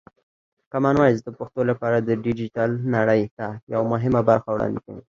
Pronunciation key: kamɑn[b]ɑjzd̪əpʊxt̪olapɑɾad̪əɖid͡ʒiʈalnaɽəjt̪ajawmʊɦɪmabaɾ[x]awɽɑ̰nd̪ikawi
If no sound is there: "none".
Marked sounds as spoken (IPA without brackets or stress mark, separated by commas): w, x